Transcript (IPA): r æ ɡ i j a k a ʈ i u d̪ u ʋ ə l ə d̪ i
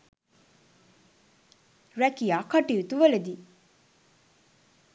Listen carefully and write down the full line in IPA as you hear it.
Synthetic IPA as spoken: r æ k i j a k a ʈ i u t̪ u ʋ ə l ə d̪ i